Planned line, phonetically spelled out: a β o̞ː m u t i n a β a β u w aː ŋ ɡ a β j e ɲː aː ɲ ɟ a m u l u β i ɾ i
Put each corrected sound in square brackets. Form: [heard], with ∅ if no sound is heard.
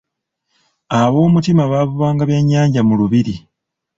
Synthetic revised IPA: a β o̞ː m u t i [m] a β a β u [β] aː ŋ ɡ a β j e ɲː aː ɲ ɟ a m u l u β i ɾ i